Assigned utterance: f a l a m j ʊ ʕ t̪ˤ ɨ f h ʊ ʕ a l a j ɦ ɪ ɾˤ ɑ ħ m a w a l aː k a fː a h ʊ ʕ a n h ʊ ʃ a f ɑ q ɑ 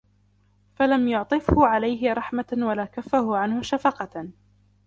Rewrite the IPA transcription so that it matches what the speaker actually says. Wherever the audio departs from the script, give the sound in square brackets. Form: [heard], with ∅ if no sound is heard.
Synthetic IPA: f a l a m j ʊ ʕ t̪ˤ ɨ f h ʊ ʕ a l a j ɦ ɪ ɾˤ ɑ ħ m a w a l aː k a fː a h ʊ ʕ a n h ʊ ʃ a f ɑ q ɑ